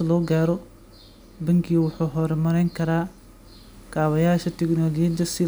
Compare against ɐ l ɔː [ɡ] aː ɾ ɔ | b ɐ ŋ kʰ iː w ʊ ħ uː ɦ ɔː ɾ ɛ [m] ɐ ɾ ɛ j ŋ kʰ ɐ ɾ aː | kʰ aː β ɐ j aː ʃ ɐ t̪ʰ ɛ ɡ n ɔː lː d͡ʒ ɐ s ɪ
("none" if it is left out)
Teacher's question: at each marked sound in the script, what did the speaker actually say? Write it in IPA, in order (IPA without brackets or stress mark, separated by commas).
ɡ, m